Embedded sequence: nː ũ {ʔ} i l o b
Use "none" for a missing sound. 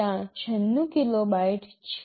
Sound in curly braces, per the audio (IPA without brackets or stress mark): k